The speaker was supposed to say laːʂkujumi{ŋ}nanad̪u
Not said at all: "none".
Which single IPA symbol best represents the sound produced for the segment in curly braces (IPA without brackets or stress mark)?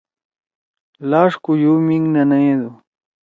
ŋ